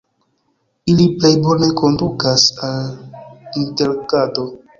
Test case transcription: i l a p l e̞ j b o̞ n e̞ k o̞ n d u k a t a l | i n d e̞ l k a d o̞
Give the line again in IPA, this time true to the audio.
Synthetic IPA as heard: i l i p l e̞ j b o̞ n e̞ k o̞ n d u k a s a l | i n t e̞ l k a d o̞